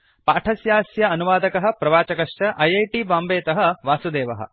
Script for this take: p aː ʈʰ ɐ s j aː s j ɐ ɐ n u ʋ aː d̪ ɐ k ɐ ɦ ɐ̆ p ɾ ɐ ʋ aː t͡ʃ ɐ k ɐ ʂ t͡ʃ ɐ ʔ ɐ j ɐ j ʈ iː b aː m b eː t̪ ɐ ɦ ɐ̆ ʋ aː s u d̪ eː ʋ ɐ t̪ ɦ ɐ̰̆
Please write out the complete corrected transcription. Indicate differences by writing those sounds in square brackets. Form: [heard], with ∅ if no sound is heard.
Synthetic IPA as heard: p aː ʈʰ ɐ s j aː s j ɐ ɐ n u ʋ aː d̪ ɐ k ɐ ɦ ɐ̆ p ɾ ɐ ʋ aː t͡ʃ ɐ k ɐ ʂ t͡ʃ ɐ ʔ ɐ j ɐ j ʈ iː b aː m b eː t̪ ɐ ɦ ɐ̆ ʋ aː s u d̪ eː ʋ ɐ [∅] ɦ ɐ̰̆